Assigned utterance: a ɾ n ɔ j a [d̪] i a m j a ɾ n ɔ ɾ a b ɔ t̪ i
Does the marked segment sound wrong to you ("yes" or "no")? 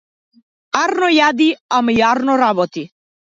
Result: no